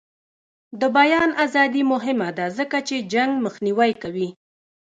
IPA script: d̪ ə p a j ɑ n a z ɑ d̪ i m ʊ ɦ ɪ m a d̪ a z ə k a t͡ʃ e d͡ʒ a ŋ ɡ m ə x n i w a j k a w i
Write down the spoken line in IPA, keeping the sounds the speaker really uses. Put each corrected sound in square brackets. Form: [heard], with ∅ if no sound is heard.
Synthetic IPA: d̪ ə [b] a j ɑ n a z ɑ d̪ i m ʊ ɦ ɪ m a d̪ a z ə k a t͡ʃ e d͡ʒ a ŋ ɡ m ə x n i w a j k a w i